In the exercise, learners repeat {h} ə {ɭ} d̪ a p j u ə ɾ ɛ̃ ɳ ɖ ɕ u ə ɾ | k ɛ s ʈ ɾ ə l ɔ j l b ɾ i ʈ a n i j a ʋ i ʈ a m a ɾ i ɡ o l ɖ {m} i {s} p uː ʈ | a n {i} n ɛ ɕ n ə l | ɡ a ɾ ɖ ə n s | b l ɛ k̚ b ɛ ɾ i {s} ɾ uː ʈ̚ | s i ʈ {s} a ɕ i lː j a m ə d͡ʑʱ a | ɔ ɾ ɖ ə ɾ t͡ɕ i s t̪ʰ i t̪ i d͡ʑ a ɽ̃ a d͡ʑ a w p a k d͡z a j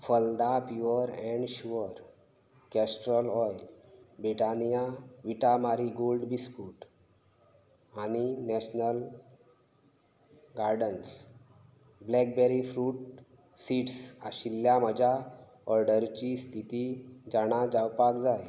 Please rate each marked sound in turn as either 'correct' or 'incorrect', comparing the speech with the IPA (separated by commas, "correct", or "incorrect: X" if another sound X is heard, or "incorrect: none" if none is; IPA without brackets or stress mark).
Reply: incorrect: f, incorrect: l, incorrect: b, correct, correct, incorrect: f, correct